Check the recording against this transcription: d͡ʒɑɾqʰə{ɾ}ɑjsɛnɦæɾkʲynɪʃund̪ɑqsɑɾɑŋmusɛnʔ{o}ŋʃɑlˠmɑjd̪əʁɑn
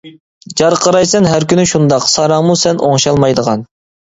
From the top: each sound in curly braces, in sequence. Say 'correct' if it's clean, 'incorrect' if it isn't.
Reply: correct, correct

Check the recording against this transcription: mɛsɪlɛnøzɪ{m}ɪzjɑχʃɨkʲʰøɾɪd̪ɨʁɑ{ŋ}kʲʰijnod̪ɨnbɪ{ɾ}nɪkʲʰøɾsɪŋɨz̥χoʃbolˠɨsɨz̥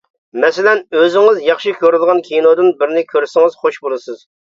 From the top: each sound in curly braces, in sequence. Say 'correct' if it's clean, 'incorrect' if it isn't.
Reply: incorrect, incorrect, correct

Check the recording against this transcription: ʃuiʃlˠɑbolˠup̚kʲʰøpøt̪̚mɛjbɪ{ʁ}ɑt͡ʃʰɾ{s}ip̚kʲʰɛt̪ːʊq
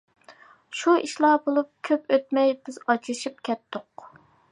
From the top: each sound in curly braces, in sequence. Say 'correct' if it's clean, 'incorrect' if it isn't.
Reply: incorrect, incorrect

